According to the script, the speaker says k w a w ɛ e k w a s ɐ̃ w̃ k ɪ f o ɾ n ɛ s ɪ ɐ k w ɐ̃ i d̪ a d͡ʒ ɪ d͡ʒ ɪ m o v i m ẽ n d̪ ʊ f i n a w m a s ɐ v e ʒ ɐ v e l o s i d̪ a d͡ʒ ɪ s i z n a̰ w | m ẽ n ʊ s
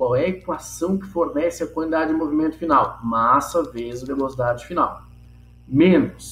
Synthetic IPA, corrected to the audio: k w a w ɛ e k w a s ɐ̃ w̃ k ɪ f o ɾ n ɛ s ɪ ɐ k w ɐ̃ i d̪ a d͡ʒ ɪ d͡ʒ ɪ m o v i m ẽ n t̪ ʊ f i n a w m a s ɐ v e z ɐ v e l o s i d̪ a d͡ʒ ɪ f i n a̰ w | m ẽ n ʊ s